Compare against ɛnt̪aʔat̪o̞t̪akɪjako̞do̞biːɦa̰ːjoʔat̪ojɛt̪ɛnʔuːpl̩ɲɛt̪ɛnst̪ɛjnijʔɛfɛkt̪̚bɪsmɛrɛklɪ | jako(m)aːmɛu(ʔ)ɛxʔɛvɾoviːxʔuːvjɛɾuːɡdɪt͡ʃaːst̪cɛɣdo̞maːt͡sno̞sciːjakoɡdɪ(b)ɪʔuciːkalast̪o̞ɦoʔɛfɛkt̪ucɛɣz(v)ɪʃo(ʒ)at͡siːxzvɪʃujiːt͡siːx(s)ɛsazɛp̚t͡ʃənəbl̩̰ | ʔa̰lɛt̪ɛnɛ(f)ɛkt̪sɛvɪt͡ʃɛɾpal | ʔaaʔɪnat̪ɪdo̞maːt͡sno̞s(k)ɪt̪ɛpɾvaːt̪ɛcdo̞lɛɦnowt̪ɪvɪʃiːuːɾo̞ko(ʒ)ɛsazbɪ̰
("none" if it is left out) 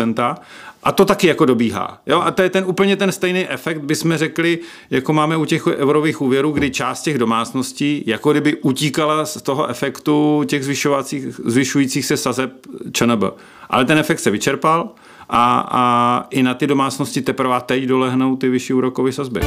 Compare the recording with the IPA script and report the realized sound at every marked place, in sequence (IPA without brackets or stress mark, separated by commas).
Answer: m, c, b, v, v, s, f, c, v